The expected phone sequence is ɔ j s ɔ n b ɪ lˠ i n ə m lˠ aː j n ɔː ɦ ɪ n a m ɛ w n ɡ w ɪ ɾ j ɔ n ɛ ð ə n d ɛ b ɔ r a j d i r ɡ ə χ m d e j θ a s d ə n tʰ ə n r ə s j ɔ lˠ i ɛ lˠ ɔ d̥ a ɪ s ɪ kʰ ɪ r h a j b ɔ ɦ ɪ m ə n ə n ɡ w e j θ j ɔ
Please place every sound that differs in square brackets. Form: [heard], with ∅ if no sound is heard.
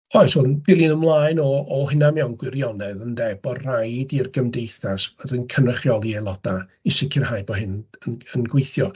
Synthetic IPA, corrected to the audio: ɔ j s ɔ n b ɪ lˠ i n ə m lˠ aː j n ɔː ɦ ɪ n a m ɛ w n ɡ w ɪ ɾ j ɔ n ɛ ð ə n d ɛ b ɔ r a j d i r ɡ ə [∅] m d e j θ a s d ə n [kʰ] ə n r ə [χ] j ɔ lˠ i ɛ lˠ ɔ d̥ a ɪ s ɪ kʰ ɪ r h a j b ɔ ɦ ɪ [n] ə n ə n ɡ w e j θ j ɔ